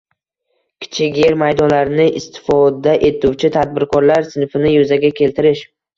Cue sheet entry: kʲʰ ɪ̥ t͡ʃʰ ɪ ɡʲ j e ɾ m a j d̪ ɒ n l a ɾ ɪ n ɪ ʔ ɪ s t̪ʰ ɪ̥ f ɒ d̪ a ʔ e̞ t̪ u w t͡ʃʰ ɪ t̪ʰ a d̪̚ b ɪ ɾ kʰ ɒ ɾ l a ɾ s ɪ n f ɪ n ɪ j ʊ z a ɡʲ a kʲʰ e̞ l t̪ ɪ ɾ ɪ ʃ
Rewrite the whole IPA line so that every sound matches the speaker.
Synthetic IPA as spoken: kʲʰ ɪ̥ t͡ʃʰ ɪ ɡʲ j e ɾ m a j d̪ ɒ n l a ɾ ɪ n ɪ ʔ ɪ s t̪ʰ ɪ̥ f ɒ d̪ a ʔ e̞ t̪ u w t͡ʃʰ ɪ t̪ʰ a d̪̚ b ɪ ɾ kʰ ɒ ɾ l a ɾ s ɪ n f ɪ n ɪ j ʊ z a ɡʲ a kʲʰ e̞ l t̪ ɪ ɾ ɪ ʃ

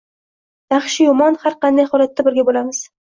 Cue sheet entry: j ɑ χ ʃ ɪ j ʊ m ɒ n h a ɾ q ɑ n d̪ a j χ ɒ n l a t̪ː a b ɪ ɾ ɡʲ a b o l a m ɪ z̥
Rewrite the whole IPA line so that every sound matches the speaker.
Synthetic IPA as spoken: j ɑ χ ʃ ɪ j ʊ m ɒ n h a ɾ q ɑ n d̪ a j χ ɒ l a t̪ː a b ɪ ɾ ɡʲ a b o l a m ɪ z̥

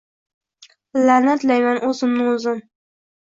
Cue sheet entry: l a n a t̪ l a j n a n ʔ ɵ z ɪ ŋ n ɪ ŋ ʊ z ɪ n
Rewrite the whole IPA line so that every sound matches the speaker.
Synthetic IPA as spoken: l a n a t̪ l a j m a n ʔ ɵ z ɪ m n ɪ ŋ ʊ z ɪ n

